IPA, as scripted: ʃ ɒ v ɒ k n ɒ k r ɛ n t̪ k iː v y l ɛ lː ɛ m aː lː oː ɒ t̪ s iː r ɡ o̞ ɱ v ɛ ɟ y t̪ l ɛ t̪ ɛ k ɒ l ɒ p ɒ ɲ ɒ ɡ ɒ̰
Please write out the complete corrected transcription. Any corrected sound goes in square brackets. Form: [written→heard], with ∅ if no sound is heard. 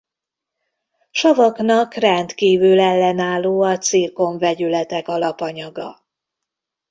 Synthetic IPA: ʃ ɒ v ɒ k n ɒ k r ɛ n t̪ k iː v y l ɛ lː ɛ [m→n] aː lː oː ɒ t̪ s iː r [ɡ→k] o̞ ɱ v ɛ ɟ y [t̪→∅] l ɛ t̪ ɛ k ɒ l ɒ p ɒ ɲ ɒ ɡ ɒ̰